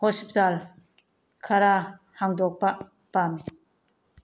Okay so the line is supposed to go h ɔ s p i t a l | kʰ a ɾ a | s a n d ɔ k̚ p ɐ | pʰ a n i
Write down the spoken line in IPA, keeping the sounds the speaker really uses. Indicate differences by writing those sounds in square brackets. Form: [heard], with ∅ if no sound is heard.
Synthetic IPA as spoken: h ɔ s p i t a l | kʰ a ɾ a | [h] a [ŋ] d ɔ k̚ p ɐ | [p] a [m] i